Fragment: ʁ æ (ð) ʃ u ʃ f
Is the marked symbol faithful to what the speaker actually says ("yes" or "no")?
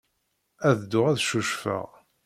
yes